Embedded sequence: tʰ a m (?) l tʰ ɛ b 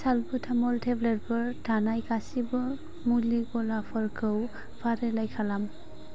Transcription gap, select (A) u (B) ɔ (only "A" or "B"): B